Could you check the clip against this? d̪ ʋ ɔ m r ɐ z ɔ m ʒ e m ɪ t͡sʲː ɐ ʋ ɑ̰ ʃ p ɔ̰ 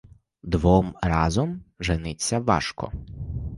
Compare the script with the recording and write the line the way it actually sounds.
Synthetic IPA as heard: d̪ ʋ ɔ m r ɑ z ɔ m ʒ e n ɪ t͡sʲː ɐ ʋ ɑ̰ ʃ k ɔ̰